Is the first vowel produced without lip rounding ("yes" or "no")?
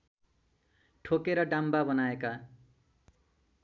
no